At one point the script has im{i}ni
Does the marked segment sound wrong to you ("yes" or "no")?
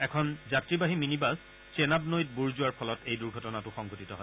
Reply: no